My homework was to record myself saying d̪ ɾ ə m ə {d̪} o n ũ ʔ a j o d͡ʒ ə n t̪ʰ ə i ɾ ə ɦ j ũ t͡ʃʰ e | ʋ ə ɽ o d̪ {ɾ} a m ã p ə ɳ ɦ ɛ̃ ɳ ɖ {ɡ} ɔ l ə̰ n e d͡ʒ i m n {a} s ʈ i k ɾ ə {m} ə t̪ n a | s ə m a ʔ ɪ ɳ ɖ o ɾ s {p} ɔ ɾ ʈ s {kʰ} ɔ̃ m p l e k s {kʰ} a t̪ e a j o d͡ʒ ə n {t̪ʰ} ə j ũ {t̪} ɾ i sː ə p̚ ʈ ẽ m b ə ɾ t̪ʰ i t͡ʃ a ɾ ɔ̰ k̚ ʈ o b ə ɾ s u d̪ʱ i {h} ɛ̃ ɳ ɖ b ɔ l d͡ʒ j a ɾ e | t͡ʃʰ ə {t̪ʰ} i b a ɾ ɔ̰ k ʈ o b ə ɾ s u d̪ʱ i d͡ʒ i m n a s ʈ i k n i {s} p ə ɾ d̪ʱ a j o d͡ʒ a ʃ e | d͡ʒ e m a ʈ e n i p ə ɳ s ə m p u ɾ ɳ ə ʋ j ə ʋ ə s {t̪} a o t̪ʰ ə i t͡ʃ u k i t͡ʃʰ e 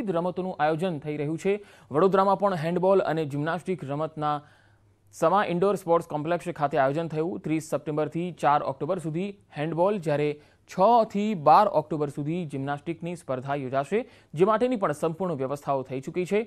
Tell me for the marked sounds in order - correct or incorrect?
incorrect: t̪, correct, incorrect: b, correct, correct, correct, incorrect: k, correct, correct, correct, correct, correct, correct, incorrect: t̪ʰ

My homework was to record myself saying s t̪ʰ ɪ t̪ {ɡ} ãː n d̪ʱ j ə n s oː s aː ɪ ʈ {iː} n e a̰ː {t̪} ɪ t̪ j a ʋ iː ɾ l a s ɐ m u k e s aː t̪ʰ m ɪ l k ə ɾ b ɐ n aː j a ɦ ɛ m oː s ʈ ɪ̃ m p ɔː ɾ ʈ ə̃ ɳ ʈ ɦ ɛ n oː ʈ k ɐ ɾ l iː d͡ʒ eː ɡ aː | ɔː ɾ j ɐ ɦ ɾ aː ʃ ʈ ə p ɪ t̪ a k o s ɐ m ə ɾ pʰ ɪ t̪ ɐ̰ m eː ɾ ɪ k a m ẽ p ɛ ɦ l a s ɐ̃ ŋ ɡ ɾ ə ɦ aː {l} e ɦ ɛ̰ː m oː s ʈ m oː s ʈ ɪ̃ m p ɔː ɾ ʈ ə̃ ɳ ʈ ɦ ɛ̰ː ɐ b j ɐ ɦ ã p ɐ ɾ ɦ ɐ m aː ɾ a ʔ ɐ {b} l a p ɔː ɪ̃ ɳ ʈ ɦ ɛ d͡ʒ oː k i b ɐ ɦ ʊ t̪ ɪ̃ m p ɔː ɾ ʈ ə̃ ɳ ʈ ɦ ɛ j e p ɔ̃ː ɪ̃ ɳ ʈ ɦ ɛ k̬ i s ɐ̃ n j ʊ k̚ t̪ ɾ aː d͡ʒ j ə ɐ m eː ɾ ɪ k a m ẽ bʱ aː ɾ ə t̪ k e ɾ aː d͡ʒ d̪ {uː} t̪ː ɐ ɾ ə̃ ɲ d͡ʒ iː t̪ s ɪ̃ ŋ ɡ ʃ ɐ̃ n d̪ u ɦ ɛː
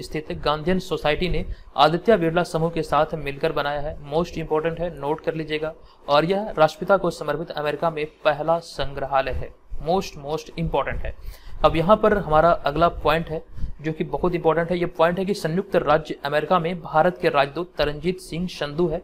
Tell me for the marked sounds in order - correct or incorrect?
correct, incorrect: i, incorrect: d̪, correct, incorrect: ɡ, correct

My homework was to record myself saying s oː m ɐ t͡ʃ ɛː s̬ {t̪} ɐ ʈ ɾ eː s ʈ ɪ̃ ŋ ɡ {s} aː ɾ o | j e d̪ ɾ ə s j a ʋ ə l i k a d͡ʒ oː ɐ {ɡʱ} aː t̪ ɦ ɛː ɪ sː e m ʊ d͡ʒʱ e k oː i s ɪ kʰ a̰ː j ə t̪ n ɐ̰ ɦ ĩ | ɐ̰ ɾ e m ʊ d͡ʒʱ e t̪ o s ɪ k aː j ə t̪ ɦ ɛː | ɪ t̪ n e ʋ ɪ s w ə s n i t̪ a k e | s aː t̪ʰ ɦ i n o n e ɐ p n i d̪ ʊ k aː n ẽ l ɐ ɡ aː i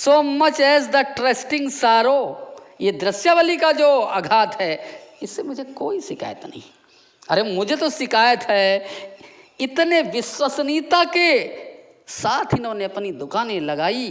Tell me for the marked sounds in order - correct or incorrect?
incorrect: d̪, correct, correct

